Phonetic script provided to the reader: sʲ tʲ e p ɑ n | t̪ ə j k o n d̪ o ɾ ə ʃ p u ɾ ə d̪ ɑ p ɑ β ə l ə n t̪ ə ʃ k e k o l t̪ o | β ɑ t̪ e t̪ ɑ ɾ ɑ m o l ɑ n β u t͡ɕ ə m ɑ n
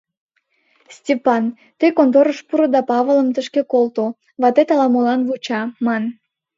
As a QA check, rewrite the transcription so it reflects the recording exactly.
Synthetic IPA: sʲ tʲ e p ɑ n | t̪ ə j k o n t̪ o ɾ ə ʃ p u ɾ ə d̪ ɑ p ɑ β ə l ə m t̪ ə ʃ k e k o l t̪ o | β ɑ t̪ e t̪ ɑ l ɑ m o l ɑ n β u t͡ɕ ɑ m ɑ n